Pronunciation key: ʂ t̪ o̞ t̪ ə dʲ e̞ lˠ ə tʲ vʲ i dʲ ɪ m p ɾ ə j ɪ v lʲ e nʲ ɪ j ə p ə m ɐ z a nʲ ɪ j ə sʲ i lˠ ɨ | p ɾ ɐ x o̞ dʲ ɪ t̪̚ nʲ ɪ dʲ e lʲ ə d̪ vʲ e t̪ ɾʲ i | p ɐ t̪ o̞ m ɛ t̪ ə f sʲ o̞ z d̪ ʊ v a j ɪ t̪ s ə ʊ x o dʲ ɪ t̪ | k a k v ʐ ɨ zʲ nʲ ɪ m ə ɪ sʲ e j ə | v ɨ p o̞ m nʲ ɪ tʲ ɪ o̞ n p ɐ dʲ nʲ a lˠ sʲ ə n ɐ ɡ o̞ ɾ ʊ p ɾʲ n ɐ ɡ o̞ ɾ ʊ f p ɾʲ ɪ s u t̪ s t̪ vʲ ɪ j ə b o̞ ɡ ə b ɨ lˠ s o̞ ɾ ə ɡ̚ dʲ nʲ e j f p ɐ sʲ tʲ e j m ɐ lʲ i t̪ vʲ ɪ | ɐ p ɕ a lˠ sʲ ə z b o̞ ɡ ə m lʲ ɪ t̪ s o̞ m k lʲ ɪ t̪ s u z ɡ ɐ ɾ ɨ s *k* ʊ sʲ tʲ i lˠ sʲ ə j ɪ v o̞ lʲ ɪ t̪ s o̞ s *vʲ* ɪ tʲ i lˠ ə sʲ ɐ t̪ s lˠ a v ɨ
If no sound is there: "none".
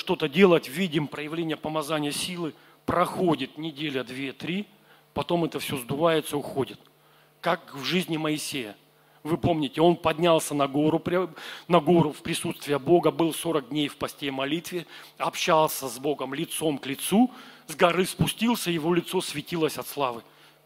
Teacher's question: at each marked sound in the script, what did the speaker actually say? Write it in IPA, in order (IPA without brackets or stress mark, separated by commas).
p, vʲ